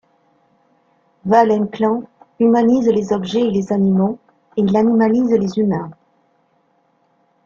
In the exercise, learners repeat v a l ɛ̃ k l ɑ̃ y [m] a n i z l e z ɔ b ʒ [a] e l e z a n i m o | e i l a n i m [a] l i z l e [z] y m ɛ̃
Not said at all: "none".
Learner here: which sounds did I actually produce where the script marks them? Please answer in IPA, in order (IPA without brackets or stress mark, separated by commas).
m, ɛ, a, z